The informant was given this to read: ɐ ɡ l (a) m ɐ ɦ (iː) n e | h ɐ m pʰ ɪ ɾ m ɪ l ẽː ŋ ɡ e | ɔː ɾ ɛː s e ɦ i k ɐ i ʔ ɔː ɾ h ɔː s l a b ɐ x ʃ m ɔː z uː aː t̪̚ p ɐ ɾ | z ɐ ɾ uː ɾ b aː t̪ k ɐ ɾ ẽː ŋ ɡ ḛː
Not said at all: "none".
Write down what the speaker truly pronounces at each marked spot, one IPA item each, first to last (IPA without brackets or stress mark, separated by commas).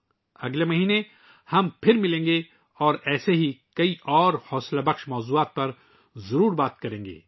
e, iː